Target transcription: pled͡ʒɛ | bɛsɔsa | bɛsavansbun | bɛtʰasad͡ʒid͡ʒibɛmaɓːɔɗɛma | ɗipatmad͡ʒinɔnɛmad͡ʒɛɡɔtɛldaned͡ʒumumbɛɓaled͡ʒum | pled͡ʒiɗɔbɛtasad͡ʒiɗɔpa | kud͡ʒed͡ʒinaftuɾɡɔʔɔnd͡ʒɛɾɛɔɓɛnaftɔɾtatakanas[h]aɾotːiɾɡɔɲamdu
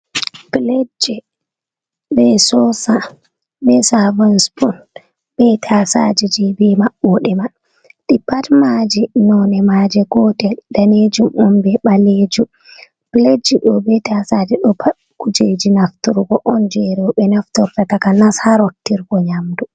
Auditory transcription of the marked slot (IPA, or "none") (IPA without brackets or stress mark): h